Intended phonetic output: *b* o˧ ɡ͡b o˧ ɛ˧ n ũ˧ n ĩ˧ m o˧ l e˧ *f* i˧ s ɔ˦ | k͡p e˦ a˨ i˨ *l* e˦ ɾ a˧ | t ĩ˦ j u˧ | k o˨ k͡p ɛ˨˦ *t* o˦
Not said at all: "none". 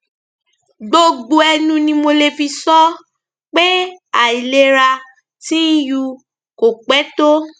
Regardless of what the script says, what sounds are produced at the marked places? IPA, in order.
ɡ͡b, f, l, t

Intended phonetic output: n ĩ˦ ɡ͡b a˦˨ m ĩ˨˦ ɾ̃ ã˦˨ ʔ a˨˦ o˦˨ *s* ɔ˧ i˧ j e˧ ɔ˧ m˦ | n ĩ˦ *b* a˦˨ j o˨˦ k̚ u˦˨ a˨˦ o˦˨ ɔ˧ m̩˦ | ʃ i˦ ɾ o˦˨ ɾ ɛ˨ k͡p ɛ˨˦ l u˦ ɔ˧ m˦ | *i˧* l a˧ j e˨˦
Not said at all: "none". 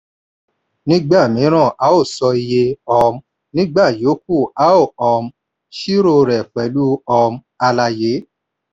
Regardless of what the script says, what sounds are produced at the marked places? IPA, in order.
s, ɡ͡b, a˧

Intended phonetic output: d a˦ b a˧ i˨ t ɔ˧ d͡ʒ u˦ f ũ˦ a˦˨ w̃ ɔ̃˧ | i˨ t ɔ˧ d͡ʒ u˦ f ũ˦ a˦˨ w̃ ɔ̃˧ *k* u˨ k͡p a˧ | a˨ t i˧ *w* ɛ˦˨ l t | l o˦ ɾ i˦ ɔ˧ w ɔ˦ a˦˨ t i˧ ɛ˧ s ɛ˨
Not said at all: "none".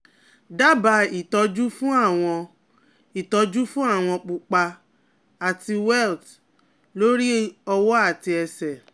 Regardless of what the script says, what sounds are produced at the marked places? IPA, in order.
k͡p, w

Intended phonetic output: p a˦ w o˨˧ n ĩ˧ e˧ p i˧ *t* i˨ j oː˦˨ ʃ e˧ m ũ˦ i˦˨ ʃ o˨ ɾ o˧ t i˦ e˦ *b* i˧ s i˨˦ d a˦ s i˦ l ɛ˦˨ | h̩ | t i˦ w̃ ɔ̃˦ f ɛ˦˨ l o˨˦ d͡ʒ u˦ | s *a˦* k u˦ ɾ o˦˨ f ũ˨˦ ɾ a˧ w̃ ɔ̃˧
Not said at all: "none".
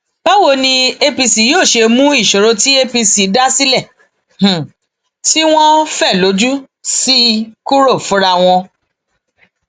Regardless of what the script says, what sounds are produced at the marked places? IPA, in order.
s, p, i˦

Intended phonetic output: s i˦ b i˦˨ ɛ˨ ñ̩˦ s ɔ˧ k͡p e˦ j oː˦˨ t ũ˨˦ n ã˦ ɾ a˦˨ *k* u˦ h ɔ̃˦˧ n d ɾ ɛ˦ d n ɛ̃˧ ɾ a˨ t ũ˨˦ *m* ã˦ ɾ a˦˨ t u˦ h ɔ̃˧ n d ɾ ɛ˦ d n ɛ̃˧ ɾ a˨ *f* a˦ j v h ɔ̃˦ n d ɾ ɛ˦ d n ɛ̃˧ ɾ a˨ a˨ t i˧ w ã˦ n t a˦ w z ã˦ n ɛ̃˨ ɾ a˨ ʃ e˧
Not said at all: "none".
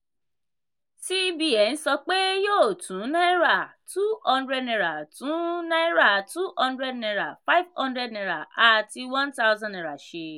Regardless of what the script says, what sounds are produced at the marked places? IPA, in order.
t, n, f

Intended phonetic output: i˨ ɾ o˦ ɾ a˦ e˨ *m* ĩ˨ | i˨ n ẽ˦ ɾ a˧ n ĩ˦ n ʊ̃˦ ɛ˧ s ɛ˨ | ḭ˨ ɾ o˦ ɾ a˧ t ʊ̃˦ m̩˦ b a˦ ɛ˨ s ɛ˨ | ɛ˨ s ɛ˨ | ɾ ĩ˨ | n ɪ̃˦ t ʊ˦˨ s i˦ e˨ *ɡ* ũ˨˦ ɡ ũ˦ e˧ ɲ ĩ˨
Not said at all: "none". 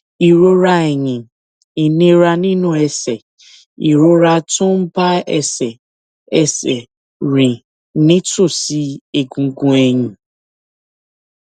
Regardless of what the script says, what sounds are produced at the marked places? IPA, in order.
ɲ, ɡ

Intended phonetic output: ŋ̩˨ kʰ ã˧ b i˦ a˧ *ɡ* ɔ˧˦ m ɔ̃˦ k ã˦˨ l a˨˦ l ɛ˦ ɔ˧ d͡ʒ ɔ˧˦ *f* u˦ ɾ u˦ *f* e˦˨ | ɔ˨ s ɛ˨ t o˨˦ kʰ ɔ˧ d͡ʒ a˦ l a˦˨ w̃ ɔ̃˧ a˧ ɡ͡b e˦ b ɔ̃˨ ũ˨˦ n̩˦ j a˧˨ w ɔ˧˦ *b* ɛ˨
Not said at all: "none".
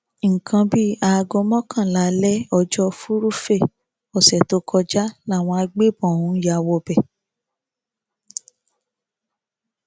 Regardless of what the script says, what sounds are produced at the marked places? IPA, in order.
ɡ, f, f, b

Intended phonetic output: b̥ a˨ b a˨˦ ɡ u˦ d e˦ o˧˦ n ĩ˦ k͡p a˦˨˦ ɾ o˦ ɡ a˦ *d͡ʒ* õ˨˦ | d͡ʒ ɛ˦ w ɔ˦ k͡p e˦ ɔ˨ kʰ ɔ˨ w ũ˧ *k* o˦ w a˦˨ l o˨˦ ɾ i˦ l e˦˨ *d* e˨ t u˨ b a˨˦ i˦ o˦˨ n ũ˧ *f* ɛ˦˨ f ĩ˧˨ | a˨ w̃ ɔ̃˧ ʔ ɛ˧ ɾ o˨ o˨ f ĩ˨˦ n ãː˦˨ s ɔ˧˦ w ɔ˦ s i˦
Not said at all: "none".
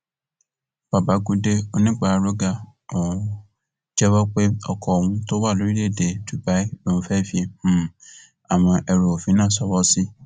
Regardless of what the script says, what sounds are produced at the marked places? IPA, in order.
none, t, d, f

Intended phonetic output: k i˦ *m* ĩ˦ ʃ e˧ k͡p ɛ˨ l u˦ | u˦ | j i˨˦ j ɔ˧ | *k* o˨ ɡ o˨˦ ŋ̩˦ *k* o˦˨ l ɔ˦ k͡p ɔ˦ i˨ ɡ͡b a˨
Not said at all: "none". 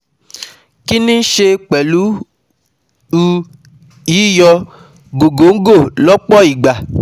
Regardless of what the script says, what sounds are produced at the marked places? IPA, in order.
n, ɡ, ɡ

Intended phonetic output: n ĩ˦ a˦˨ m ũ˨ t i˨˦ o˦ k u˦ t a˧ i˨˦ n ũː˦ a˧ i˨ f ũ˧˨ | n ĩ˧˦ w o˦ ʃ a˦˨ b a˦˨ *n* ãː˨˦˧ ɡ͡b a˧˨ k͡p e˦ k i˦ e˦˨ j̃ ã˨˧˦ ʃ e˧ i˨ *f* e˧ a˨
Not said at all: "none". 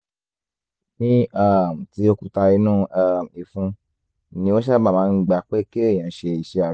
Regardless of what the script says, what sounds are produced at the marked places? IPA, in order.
m, ʃ

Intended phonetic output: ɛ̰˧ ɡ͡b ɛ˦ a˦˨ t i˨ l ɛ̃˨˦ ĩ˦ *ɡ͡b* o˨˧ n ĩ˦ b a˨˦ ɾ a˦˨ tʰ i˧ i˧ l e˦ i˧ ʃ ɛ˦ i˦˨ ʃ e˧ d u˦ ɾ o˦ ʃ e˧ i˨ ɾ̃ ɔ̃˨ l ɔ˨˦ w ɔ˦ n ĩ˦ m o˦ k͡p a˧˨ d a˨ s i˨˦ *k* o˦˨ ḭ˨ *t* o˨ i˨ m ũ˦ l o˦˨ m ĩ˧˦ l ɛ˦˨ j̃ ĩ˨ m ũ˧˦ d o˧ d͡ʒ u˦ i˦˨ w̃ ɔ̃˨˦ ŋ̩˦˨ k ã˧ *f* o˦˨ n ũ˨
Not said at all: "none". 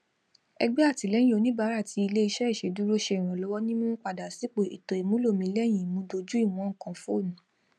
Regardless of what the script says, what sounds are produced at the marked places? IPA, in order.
none, k͡p, t, f

